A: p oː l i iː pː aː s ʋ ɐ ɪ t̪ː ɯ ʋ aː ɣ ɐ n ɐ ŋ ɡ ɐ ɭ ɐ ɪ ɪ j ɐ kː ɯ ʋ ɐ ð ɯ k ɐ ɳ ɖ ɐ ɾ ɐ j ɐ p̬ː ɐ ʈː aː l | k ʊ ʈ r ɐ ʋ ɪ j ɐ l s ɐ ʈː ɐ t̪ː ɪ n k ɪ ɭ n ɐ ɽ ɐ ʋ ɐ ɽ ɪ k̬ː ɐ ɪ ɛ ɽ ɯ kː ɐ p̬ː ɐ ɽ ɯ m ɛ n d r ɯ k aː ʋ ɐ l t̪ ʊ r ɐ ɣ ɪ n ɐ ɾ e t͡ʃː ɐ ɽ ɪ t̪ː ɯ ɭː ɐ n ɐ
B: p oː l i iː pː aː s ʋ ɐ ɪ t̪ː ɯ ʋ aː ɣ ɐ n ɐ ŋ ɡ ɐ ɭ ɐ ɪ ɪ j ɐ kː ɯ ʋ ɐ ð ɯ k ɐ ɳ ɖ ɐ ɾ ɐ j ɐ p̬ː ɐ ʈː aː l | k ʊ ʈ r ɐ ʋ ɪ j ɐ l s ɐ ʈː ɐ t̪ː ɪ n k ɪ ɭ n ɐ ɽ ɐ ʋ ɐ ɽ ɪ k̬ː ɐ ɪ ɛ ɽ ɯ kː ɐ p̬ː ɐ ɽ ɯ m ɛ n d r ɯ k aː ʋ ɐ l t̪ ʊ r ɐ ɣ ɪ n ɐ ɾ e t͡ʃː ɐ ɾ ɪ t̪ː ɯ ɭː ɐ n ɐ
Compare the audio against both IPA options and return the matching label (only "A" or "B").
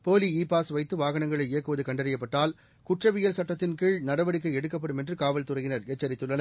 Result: B